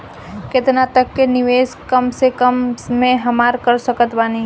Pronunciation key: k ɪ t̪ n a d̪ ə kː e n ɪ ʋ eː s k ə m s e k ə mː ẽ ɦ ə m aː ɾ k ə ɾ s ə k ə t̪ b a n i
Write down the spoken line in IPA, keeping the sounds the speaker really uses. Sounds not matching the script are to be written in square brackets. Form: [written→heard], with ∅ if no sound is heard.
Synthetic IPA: k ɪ t̪ n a [d̪→t̪] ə kː e n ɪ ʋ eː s k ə m s e k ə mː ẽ ɦ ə m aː ɾ k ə ɾ s ə k ə t̪ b a n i